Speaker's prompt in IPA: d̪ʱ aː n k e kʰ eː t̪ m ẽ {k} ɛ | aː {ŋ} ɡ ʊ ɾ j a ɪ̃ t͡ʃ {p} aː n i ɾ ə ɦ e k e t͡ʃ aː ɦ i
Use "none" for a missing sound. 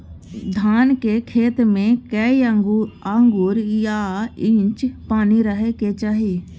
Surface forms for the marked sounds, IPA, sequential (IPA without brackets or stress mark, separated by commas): k, ŋ, p